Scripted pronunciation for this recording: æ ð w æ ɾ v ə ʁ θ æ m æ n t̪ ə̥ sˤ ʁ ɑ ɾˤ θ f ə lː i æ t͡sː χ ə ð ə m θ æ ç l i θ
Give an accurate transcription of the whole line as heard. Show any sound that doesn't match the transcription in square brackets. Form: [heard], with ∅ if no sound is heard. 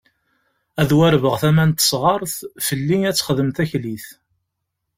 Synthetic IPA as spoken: æ ð w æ ɾ v ə ʁ θ æ m æ n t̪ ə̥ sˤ ʁ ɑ ɾˤ θ f ə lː i æ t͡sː χ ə ð ə m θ æ ç l i θ